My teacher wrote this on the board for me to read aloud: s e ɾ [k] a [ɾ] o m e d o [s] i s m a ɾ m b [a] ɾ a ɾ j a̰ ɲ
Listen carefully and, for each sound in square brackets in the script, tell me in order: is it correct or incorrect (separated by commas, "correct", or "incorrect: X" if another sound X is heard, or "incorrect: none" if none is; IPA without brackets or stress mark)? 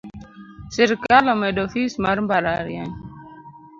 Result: correct, incorrect: l, incorrect: f, correct